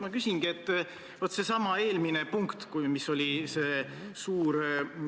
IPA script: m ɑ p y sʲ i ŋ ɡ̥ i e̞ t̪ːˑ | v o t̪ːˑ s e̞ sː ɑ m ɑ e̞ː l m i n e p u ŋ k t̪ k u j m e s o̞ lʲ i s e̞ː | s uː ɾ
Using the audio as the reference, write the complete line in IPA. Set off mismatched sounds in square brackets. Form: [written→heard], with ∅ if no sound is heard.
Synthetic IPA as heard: m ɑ [p→k] y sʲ i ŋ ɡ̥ i e̞ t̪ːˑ | v o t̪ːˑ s e̞ [sː→s] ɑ m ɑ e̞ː l m i n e p u ŋ k t̪ k u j m [e→i] s o̞ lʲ i s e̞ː | s uː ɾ